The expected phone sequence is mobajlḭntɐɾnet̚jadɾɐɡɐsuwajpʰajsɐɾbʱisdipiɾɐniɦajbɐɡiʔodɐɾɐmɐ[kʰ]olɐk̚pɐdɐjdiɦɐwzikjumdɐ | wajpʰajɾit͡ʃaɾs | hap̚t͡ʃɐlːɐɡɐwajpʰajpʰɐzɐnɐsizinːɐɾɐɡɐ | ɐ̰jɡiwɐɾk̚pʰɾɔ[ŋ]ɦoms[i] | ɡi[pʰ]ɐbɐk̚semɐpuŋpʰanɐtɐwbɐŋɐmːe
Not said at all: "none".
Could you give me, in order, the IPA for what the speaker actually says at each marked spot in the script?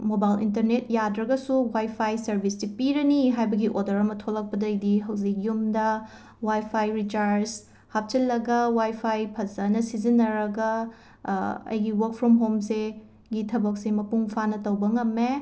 tʰ, m, e, tʰ

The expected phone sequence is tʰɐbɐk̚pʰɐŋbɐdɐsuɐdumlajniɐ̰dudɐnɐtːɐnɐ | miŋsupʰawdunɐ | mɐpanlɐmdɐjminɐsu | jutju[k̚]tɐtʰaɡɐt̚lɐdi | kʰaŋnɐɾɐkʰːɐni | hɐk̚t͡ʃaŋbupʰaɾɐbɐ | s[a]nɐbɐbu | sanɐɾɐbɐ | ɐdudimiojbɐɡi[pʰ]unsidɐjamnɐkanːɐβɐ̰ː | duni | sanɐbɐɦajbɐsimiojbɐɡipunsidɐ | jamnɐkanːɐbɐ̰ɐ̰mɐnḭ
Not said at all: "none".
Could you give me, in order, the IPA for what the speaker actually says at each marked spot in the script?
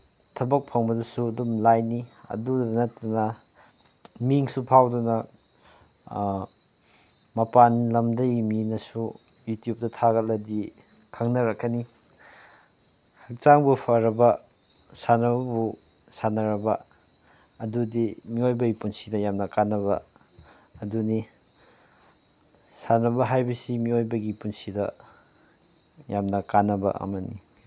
p̚, a, p

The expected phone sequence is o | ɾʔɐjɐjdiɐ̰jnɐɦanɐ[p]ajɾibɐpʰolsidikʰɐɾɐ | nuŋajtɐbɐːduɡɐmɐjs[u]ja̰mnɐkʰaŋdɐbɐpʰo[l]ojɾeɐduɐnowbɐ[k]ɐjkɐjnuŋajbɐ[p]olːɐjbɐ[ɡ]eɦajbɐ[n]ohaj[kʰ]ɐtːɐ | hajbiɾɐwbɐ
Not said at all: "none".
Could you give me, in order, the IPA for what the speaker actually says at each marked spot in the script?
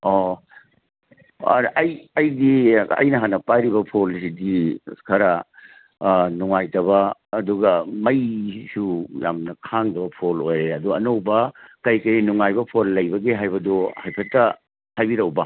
p, u, l, k, pʰ, ɡ, d, pʰ

